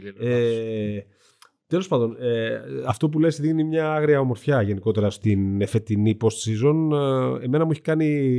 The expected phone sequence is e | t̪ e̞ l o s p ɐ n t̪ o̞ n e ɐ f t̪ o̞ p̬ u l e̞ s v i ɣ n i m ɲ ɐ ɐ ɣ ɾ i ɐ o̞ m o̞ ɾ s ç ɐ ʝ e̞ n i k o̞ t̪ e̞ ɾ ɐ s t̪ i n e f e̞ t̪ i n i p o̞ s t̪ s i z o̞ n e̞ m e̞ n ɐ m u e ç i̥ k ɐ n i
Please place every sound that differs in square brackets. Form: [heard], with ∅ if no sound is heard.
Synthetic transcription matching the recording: e | t̪ e̞ l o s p ɐ n [d̪] o̞ n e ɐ f t̪ o̞ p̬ u l e̞ s [ð] i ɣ n i m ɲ ɐ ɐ ɣ ɾ i ɐ o̞ m o̞ ɾ [f] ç ɐ ʝ e̞ n i k o̞ t̪ e̞ ɾ ɐ s t̪ i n e f e̞ t̪ i n i p o̞ s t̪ s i z o̞ n e̞ m e̞ n ɐ m u e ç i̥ k ɐ n i